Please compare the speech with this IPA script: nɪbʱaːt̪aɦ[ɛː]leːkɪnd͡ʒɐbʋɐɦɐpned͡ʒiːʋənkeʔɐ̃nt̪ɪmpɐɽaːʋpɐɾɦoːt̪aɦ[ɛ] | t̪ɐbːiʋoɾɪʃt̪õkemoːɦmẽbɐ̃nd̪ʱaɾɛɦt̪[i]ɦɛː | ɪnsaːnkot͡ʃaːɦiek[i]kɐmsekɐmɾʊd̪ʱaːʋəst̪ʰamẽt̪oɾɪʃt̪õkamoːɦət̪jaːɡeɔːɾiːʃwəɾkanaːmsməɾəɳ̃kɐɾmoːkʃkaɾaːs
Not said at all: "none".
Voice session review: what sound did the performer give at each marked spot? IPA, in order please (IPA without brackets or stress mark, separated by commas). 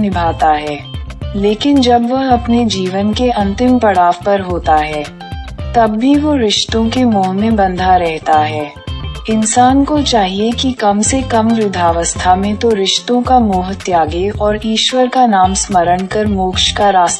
ɛː, ɛː, a, i